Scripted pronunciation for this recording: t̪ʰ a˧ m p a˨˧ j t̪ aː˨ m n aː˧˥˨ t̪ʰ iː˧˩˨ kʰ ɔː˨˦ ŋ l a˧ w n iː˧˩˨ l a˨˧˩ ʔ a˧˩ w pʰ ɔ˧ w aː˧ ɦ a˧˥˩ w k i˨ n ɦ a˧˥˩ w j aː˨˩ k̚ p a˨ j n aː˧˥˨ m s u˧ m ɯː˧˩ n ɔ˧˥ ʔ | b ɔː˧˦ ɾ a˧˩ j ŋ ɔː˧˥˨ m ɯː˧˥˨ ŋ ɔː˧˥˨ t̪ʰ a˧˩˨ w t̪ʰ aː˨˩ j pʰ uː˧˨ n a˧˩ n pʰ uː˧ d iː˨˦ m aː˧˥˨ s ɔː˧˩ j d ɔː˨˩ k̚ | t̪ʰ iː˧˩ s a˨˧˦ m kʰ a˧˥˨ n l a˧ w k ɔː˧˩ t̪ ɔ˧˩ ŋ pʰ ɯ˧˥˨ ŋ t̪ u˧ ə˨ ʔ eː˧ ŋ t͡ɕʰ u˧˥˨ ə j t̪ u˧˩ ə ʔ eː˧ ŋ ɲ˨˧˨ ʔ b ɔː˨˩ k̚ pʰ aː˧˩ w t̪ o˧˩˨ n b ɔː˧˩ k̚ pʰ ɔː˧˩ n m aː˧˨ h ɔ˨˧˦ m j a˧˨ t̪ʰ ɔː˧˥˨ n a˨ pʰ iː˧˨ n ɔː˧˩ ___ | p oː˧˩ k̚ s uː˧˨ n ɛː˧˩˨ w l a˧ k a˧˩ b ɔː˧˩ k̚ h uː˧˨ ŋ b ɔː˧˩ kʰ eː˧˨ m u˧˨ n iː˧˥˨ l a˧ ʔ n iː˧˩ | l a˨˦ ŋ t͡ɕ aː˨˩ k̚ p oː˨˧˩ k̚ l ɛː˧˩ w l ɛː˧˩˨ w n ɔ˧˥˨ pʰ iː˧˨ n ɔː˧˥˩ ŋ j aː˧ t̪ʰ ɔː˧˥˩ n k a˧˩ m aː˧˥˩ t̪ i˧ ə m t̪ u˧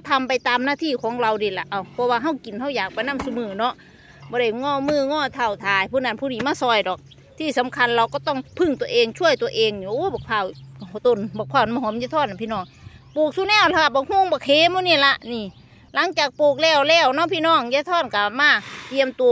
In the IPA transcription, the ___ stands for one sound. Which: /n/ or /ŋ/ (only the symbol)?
ŋ